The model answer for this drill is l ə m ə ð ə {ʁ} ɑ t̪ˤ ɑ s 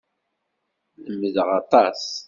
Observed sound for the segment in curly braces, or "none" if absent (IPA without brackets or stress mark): ʁ